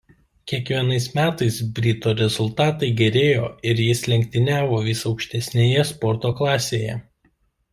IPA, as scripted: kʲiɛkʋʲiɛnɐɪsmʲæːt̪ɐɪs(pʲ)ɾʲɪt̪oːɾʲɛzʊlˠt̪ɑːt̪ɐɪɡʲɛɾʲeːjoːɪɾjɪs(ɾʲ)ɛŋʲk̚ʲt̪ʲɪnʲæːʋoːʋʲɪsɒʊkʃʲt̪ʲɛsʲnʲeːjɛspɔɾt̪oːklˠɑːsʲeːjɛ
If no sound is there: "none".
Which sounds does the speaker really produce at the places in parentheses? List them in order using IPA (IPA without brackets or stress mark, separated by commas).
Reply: bʲ, lʲ